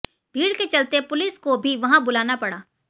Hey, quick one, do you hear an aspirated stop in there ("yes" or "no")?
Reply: no